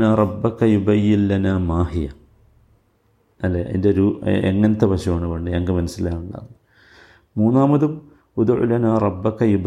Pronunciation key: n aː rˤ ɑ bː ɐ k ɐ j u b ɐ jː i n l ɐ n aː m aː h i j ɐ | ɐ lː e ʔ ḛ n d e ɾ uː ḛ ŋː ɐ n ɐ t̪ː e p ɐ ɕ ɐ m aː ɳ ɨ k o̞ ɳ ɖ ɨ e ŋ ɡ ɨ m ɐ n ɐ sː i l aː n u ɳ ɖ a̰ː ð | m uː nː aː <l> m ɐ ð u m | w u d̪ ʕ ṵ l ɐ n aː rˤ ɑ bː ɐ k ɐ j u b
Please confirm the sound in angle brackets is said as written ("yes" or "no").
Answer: no